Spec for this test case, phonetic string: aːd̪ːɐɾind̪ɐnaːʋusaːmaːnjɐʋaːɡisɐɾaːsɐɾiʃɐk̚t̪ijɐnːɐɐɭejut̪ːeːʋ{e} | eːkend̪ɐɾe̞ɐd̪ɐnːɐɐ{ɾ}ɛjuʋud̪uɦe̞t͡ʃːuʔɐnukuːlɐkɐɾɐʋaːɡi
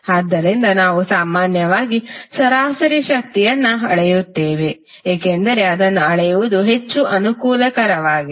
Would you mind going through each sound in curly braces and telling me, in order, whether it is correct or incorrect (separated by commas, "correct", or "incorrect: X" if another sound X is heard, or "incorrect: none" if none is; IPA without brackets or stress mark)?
correct, incorrect: ɭ